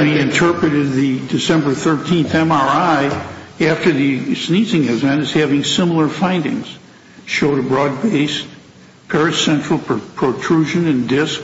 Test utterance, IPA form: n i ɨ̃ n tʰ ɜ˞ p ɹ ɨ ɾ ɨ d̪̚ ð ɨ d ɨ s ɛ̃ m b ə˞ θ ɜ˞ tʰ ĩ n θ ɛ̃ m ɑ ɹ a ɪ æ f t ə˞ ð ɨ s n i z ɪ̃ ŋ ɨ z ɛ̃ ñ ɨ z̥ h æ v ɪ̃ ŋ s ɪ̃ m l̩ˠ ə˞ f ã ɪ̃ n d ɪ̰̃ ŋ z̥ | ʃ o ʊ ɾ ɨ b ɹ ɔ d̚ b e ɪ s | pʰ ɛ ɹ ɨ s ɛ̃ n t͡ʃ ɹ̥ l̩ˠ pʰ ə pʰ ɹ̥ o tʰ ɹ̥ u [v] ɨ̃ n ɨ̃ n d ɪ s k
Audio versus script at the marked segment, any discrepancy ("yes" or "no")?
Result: yes